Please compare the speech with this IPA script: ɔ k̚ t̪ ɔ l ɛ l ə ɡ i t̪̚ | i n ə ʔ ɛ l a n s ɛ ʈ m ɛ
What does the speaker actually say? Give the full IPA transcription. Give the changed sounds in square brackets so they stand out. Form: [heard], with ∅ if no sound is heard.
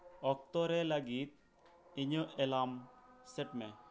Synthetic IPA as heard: ɔ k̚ t̪ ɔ [ɾ] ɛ l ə ɡ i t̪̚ | i [ɲ] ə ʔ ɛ l a [m] s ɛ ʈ m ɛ

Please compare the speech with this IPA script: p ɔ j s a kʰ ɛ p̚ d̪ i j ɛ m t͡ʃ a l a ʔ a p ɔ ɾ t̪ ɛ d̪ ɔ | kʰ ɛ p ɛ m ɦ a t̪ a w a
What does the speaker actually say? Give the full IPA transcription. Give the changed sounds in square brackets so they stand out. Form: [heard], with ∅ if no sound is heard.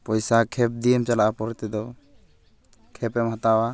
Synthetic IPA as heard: p ɔ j s a kʰ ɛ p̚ d̪ i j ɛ m t͡ʃ a l a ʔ a p ɔ ɾ t̪ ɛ d̪ ɔ | kʰ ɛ p ɛ m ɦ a t̪ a w a

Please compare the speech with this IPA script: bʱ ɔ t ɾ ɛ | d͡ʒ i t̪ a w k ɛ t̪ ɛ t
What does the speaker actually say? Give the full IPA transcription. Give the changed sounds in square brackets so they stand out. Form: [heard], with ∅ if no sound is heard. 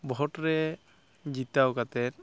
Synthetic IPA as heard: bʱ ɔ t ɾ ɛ | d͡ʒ i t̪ a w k [a] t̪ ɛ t

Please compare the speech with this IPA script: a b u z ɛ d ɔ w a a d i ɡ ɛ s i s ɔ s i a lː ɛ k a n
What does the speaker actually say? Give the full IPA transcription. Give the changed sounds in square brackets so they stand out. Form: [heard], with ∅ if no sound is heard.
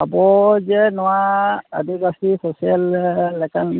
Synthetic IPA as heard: a b [ɔ] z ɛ [n] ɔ w a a d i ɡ [a] s i s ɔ s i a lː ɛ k a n

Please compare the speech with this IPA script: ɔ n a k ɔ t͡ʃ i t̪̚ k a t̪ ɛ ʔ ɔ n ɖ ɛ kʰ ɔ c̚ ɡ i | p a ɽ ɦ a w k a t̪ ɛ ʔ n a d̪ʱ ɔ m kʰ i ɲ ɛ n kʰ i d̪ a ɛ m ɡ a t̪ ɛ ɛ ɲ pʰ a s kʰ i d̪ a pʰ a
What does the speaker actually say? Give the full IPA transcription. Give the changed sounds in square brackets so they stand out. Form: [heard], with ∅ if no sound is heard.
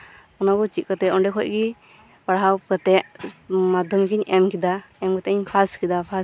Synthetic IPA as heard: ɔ n a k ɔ t͡ʃ i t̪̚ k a t̪ ɛ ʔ ɔ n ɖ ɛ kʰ ɔ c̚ ɡ i | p a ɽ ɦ a w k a t̪ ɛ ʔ [m] a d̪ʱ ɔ m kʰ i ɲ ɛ [m] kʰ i d̪ a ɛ m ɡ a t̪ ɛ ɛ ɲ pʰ a s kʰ i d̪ a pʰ a

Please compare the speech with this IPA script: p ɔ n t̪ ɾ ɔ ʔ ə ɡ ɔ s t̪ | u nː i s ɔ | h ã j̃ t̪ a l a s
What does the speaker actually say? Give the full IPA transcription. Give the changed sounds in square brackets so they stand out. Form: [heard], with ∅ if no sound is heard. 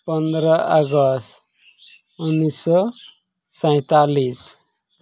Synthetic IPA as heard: p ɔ n [d̪] ɾ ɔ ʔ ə ɡ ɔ s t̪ | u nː i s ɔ | [s] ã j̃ t̪ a l [i] s

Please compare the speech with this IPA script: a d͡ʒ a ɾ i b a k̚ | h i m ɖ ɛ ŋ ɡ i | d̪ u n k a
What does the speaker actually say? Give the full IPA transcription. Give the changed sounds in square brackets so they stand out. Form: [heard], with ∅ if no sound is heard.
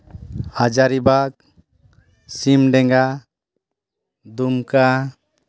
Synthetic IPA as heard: a d͡ʒ a ɾ i b a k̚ | [s] i m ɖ ɛ ŋ ɡ [a] | d̪ u [m] k a

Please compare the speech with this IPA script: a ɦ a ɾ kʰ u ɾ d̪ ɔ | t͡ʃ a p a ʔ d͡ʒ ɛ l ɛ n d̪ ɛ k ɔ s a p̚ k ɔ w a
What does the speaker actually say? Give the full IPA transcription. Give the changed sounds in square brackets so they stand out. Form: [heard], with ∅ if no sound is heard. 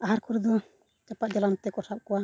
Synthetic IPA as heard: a ɦ a ɾ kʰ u ɾ d̪ ɔ | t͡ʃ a p a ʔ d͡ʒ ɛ l [a] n [t̪] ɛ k ɔ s a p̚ k ɔ w a

